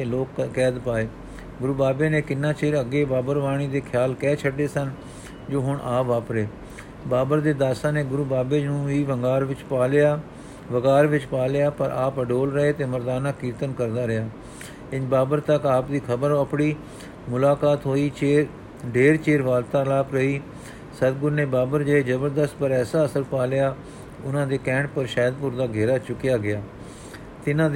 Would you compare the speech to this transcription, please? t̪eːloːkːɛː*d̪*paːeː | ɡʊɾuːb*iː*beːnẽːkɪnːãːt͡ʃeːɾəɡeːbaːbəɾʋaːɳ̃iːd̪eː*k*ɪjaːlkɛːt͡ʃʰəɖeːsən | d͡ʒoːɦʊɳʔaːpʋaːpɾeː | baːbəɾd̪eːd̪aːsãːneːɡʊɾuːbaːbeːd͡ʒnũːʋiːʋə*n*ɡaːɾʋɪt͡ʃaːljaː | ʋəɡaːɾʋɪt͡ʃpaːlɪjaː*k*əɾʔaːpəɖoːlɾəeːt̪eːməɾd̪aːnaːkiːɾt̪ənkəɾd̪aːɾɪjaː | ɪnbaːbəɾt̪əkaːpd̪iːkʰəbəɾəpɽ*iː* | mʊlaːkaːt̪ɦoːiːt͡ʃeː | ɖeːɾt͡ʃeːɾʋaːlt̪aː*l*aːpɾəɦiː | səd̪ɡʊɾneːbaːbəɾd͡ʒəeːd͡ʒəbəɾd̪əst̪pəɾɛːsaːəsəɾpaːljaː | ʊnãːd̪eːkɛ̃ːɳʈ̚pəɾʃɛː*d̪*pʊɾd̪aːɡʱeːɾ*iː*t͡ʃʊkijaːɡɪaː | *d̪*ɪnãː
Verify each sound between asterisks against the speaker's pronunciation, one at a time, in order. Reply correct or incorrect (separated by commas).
correct, incorrect, incorrect, incorrect, incorrect, correct, correct, correct, incorrect, incorrect